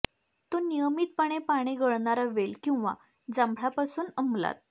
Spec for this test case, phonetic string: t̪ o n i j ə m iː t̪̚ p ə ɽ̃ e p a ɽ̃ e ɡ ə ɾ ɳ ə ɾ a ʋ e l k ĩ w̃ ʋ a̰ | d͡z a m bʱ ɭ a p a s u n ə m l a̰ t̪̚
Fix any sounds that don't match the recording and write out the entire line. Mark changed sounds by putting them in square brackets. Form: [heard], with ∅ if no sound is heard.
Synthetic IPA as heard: t̪ o n i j ə m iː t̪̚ p ə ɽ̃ e p a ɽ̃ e ɡ ə [ɭ] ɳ [a] ɾ a ʋ e l k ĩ w̃ ʋ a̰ | d͡z a m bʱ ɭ a p a s [uː] n ə m l a̰ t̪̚